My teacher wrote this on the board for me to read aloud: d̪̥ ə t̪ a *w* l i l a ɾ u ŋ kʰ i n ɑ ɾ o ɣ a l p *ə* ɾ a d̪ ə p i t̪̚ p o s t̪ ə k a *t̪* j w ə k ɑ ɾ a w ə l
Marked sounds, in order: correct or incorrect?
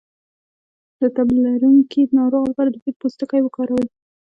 incorrect, incorrect, incorrect

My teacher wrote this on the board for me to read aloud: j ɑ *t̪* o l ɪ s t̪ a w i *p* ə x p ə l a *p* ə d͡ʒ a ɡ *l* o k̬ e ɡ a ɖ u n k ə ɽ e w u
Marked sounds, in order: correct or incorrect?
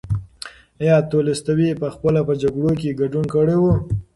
correct, correct, correct, incorrect

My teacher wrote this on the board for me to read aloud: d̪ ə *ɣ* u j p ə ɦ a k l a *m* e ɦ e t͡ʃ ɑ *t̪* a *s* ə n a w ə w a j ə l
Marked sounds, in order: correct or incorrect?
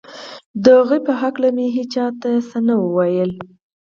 correct, correct, correct, correct

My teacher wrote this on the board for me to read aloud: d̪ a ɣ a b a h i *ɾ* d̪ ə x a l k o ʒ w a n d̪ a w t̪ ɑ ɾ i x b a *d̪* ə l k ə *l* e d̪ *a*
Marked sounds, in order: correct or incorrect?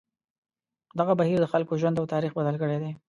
correct, correct, incorrect, incorrect

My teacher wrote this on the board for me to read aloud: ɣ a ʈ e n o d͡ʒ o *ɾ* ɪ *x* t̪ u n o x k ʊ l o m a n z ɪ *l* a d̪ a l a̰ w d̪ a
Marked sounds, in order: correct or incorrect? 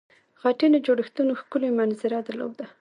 incorrect, correct, incorrect

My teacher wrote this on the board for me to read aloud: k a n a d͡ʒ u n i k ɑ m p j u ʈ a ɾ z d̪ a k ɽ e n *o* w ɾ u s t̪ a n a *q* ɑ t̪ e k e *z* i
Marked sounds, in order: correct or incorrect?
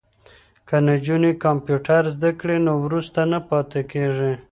correct, incorrect, incorrect

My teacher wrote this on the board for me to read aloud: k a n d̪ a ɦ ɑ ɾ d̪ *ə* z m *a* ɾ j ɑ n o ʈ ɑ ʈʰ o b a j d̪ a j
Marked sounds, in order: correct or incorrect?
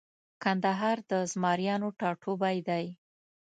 correct, incorrect

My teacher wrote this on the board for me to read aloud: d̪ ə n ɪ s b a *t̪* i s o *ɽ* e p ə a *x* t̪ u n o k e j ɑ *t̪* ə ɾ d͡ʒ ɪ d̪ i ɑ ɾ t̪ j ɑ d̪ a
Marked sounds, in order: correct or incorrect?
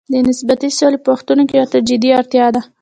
correct, incorrect, correct, correct

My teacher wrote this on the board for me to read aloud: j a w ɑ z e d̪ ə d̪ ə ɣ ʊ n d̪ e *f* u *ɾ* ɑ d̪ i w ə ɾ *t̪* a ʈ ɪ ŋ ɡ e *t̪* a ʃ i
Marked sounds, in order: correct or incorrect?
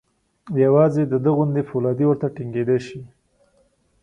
correct, incorrect, correct, incorrect

